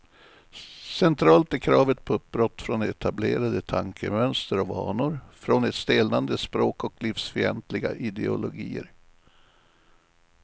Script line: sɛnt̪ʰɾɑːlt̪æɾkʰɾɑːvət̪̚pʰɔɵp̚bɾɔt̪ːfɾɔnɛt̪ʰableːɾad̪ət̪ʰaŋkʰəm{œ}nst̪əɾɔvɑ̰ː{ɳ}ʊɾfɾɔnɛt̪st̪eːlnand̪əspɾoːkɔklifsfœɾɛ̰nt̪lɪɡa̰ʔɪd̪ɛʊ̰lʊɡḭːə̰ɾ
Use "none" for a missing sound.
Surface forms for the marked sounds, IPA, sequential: œ, ɳ

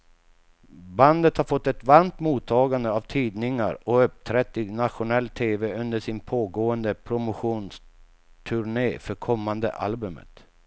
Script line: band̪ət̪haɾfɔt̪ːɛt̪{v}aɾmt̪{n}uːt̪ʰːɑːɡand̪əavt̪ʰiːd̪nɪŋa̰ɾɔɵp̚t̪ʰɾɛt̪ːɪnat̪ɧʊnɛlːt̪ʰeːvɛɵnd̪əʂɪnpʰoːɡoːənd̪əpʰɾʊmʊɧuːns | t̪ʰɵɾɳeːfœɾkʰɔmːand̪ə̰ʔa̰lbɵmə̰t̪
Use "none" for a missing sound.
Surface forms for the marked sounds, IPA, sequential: v, m

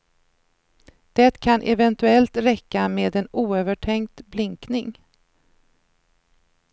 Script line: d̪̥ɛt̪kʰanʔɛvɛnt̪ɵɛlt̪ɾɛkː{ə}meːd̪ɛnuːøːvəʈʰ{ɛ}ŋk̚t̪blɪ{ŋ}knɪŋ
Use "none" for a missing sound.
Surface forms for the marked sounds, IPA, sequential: a, ɛ, ŋ

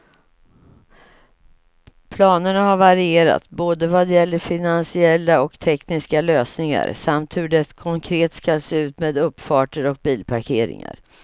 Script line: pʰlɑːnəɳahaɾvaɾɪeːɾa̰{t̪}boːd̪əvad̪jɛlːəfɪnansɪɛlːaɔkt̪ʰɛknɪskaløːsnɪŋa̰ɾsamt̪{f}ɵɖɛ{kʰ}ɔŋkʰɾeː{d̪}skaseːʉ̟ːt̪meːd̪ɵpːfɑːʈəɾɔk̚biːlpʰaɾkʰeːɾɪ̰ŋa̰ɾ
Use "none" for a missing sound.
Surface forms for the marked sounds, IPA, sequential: t̪, h, kʰ, t̪

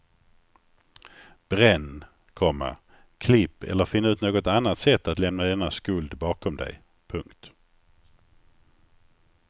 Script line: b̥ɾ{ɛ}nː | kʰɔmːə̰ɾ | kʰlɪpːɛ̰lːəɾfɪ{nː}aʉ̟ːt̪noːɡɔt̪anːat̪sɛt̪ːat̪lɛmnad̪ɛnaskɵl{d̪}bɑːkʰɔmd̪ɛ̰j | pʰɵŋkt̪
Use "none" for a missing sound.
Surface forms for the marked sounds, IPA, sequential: ɛ, nː, d̪

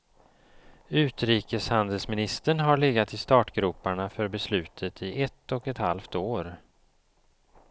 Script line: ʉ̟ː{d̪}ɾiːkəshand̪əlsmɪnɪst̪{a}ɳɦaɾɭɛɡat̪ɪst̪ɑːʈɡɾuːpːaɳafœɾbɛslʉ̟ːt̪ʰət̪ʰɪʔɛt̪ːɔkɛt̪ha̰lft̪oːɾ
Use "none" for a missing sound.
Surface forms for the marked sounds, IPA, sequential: t̪, ə

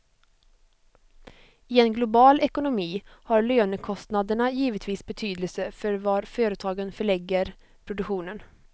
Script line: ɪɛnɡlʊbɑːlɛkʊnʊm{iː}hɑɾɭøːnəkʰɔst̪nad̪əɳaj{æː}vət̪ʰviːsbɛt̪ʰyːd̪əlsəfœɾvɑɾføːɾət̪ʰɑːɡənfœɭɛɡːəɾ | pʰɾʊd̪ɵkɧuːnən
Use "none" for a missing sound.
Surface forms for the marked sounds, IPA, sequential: iː, iː

